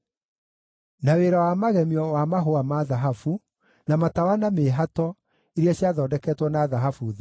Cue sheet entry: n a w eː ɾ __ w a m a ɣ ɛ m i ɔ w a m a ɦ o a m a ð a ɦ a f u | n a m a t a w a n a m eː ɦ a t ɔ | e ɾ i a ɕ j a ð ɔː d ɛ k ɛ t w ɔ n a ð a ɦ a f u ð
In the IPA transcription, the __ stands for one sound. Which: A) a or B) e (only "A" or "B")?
A